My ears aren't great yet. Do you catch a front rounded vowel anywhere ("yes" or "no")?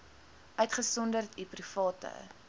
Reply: yes